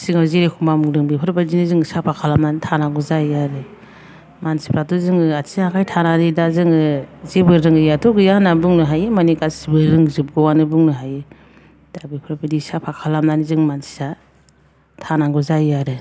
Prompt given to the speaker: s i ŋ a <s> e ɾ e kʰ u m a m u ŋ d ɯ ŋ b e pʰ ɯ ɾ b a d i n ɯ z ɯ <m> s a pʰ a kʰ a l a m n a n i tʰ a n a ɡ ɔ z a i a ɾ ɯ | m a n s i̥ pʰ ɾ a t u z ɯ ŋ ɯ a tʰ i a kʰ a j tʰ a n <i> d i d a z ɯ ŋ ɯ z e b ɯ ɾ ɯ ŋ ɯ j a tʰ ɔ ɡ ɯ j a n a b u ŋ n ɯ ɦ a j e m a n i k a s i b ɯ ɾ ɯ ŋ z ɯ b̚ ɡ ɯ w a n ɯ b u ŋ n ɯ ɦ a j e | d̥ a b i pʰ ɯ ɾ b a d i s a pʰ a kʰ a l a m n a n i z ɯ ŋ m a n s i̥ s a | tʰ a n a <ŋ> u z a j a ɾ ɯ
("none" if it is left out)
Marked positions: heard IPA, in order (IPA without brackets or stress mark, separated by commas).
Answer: z, ŋ, a, ɡ